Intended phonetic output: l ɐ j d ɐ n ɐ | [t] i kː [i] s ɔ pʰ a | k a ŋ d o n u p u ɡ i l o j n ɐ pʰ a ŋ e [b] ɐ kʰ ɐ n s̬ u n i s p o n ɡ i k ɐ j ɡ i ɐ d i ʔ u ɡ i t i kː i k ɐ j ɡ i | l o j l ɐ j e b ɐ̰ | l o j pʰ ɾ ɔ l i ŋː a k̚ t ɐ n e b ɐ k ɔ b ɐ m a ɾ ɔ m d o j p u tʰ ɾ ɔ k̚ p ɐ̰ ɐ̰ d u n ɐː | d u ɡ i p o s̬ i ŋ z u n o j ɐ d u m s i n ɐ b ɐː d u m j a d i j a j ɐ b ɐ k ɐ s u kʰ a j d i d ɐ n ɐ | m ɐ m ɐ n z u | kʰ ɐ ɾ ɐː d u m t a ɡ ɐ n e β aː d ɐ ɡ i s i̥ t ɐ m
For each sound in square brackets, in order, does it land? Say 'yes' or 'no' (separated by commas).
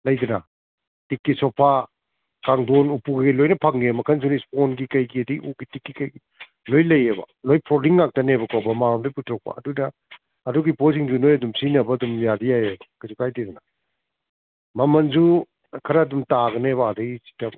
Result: yes, yes, no